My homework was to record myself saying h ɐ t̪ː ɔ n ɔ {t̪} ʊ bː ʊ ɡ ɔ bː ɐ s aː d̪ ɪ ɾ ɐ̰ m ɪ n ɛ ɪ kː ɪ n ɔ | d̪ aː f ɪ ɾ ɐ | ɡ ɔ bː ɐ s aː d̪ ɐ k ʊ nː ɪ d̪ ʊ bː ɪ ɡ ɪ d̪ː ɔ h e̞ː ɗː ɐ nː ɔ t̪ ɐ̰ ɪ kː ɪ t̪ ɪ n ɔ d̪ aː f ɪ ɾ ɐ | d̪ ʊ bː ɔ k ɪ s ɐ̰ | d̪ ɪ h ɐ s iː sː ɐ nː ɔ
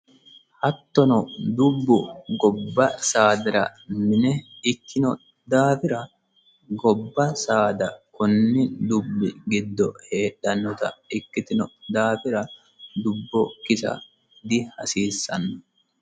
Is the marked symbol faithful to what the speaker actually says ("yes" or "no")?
no